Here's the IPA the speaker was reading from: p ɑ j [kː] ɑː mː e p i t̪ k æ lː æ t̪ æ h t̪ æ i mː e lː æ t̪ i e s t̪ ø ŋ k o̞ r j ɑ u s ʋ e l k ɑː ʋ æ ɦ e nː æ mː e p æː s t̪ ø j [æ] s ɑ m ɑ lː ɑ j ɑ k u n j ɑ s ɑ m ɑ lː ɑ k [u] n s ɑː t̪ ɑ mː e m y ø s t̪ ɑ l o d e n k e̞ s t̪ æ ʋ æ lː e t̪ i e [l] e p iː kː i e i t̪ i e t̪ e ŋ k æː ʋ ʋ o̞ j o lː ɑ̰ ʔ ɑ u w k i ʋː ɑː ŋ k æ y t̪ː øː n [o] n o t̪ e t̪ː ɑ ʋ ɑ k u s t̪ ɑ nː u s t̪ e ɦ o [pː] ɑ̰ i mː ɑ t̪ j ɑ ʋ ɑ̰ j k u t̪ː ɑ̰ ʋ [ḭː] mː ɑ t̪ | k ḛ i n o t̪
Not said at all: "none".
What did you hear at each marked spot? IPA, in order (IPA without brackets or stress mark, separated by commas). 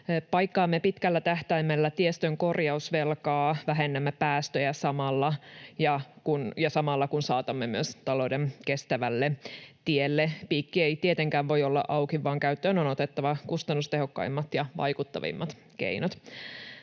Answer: kː, æ, u, lː, o, kː, ḭ